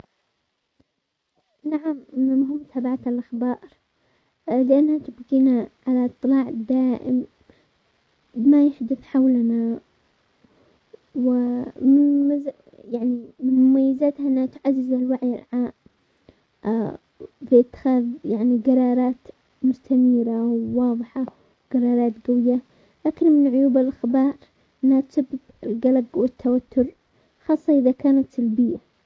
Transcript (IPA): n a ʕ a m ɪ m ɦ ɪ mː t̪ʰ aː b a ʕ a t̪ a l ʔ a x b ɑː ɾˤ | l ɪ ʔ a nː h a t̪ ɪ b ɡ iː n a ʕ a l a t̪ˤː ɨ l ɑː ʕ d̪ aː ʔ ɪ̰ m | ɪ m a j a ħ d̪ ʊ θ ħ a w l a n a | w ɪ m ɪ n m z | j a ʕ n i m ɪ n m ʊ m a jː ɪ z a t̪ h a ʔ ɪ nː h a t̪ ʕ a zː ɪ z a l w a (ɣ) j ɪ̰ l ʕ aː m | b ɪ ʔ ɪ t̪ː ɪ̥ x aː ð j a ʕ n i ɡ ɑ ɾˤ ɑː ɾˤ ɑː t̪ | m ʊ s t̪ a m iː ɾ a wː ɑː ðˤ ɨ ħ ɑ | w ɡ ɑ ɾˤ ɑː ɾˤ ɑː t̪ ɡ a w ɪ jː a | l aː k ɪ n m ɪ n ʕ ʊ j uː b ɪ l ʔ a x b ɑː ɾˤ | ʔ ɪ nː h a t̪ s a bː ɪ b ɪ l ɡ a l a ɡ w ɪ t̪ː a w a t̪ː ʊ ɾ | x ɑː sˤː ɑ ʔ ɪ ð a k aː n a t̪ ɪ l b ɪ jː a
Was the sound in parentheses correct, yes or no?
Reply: no